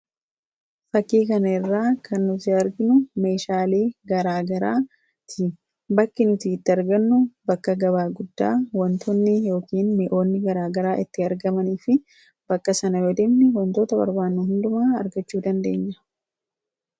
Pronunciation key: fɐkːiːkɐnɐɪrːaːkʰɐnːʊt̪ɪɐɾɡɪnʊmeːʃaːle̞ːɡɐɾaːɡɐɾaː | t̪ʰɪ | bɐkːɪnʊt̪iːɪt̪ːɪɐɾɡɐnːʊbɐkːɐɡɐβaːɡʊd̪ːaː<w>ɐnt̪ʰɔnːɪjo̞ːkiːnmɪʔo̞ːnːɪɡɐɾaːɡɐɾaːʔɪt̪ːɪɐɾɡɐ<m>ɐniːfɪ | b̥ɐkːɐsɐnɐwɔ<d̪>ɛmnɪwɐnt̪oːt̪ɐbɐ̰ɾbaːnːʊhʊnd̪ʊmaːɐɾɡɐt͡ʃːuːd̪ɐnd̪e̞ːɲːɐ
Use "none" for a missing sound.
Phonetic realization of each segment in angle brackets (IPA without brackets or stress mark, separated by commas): w, m, d̪